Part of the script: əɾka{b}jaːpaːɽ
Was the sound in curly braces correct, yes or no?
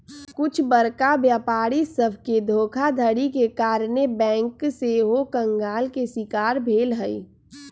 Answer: yes